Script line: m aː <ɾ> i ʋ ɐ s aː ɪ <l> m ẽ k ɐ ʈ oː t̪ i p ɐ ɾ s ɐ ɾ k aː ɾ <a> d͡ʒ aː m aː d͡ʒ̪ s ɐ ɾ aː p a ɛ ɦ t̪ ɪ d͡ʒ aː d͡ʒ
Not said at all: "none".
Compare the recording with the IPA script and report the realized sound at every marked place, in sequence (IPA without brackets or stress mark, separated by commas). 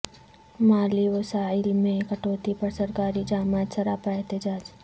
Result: l, l, i